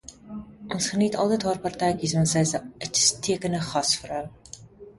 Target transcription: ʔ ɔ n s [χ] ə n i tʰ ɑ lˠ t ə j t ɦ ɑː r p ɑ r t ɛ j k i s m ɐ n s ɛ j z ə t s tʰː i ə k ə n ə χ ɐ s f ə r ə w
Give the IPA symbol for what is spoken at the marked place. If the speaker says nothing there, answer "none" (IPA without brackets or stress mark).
χ